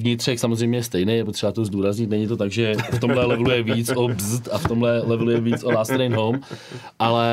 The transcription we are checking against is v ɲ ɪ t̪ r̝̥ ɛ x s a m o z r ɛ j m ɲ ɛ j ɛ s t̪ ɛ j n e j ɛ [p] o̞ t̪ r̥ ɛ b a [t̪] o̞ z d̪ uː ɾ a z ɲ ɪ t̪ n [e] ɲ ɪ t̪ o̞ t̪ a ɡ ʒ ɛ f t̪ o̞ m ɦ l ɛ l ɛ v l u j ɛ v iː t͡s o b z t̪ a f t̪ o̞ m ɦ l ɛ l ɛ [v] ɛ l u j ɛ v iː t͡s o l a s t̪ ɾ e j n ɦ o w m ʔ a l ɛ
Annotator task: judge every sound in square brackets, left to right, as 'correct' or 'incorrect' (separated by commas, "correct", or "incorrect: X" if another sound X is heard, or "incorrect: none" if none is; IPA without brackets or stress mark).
correct, correct, incorrect: ɛ, correct